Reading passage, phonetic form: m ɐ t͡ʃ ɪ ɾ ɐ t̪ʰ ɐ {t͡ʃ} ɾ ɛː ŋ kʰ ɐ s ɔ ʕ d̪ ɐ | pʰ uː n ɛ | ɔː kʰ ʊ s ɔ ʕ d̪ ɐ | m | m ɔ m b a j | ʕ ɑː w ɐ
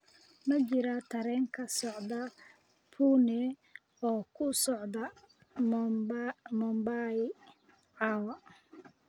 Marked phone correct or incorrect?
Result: incorrect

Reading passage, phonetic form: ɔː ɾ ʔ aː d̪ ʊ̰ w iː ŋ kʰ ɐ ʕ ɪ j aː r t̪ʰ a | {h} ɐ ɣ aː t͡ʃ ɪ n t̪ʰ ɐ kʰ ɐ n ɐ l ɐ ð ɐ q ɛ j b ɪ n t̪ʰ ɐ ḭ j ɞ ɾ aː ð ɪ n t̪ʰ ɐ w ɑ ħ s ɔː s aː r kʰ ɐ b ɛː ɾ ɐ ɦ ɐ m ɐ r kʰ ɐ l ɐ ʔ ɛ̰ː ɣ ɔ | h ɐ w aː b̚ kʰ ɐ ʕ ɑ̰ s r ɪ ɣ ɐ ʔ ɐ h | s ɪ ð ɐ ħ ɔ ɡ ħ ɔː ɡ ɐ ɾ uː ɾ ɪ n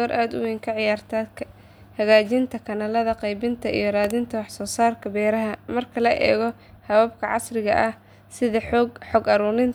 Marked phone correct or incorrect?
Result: correct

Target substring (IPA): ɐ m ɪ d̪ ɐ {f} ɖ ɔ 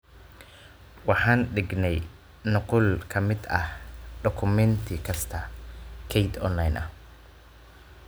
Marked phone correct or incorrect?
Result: incorrect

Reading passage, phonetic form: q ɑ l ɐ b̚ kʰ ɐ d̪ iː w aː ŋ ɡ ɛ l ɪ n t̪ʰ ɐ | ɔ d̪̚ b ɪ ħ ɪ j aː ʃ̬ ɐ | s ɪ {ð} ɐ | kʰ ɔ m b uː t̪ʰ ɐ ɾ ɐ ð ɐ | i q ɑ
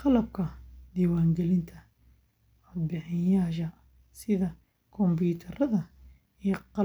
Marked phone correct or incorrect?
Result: correct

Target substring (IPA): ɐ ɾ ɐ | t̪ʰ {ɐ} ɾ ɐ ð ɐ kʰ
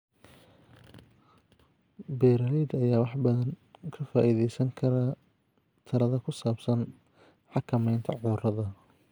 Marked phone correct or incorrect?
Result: correct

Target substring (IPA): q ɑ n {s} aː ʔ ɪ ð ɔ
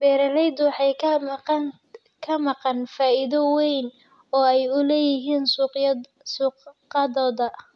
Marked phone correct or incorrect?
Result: incorrect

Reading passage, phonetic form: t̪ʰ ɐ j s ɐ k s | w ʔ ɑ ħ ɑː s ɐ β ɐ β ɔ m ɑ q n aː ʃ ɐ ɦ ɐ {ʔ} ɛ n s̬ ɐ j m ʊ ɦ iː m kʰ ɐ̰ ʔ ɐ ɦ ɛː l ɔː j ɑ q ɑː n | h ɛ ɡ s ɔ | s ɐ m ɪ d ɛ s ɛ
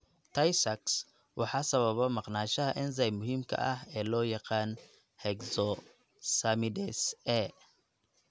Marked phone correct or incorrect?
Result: correct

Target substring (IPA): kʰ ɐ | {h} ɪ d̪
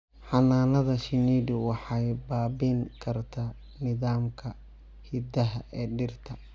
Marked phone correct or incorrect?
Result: correct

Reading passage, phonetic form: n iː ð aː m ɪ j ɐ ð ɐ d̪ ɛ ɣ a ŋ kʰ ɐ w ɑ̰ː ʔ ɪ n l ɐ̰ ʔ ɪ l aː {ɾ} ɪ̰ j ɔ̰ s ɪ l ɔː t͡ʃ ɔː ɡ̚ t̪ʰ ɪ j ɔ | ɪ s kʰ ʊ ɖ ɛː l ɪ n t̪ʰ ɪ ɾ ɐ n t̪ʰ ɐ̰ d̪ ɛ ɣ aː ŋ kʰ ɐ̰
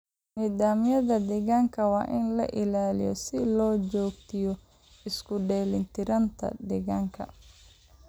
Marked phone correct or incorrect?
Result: incorrect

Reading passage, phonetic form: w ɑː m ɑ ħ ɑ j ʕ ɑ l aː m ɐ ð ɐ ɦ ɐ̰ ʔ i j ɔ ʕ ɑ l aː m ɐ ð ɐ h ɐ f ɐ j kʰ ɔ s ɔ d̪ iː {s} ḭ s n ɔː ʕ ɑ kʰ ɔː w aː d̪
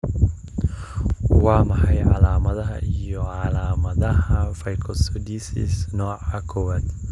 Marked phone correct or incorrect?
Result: correct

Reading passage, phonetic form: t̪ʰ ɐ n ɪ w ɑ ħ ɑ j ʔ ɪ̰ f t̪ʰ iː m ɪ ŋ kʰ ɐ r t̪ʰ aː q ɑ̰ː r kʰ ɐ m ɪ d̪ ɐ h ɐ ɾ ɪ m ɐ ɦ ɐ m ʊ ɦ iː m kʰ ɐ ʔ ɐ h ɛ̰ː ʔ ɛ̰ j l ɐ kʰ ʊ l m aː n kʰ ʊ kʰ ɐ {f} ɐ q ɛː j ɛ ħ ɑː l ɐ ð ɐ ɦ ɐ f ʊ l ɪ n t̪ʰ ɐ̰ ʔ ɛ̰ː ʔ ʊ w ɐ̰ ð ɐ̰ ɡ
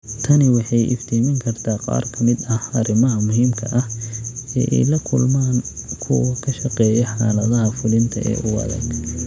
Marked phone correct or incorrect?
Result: incorrect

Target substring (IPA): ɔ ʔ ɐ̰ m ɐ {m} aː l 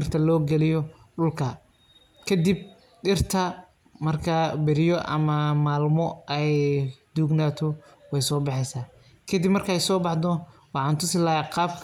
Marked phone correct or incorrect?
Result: correct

